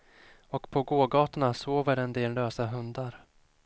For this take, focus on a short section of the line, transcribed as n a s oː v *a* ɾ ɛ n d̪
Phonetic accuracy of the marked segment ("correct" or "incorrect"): incorrect